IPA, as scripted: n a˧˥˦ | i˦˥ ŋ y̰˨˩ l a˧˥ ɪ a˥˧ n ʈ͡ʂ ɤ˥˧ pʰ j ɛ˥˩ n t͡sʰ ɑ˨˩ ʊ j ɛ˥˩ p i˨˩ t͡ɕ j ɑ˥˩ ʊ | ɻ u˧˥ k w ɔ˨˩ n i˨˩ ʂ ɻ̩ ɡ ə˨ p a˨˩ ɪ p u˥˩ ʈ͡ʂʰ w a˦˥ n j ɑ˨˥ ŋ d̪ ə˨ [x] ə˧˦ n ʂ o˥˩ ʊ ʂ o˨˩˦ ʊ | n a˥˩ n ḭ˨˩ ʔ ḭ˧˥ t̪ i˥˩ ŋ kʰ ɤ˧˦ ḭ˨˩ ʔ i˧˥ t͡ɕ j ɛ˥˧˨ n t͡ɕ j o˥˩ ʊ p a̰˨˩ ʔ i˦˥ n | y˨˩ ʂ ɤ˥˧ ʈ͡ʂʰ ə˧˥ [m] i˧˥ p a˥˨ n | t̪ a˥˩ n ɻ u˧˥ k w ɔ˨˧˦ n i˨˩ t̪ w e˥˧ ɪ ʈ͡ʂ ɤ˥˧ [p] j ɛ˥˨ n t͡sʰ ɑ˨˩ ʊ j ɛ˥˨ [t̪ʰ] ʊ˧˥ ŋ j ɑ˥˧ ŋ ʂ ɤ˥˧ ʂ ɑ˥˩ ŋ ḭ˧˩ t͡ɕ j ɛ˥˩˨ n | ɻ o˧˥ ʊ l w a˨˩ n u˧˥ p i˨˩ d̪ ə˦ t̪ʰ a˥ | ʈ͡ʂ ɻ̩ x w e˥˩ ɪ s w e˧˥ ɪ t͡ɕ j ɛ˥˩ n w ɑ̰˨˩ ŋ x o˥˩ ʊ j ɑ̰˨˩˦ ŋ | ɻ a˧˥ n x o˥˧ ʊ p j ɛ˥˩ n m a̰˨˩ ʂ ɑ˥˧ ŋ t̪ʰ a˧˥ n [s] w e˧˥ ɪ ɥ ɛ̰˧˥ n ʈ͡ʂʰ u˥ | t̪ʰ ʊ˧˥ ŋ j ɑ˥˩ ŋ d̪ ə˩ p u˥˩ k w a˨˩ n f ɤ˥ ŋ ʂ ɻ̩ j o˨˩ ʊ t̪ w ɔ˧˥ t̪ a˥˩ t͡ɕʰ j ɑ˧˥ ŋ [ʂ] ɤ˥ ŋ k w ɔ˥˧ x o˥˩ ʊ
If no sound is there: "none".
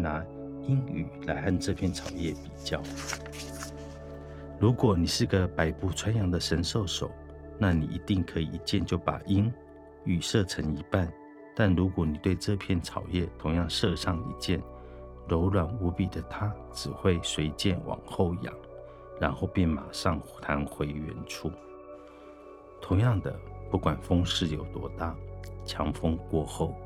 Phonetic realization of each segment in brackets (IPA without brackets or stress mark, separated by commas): ʂ, ŋ, pʰ, t̪ʰ, x, f